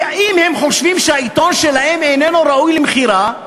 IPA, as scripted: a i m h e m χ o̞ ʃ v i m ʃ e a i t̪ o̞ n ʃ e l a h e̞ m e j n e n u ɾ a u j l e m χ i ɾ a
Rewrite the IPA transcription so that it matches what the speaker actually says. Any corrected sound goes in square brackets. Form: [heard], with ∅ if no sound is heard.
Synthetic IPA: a i m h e m χ o̞ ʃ v i m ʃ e a i t̪ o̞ n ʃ e l a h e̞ m e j n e n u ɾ a u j l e m χ i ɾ a